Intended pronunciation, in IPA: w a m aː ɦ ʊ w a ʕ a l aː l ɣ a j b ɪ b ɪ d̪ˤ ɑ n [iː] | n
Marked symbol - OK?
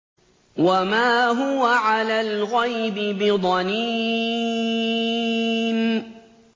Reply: yes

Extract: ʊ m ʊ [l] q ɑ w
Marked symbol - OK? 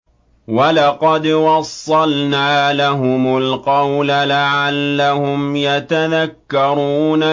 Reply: yes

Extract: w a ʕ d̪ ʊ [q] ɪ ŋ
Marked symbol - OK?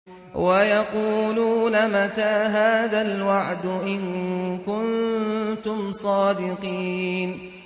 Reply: no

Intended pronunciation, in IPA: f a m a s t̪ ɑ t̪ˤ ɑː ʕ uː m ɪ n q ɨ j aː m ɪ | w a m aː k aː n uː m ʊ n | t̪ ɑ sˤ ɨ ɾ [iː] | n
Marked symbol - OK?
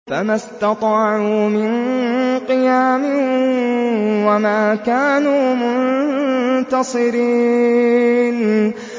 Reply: yes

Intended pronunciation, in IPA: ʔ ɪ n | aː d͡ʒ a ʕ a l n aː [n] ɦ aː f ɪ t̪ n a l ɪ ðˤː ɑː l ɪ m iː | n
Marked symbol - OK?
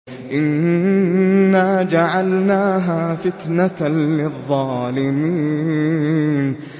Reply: no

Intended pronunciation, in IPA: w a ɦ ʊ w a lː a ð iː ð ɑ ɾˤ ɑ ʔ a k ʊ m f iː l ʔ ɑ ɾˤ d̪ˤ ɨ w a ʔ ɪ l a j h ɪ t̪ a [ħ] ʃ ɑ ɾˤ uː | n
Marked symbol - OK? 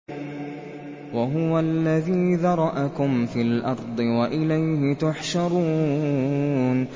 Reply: yes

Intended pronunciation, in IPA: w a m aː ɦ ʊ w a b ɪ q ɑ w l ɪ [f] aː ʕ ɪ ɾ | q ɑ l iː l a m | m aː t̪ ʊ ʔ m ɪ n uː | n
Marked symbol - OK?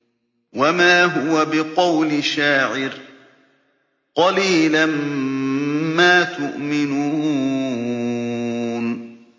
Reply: no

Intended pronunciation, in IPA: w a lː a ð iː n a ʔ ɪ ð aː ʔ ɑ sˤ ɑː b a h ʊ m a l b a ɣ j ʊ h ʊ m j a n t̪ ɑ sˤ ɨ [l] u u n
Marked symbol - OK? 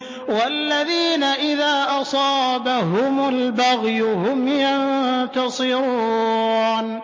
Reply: no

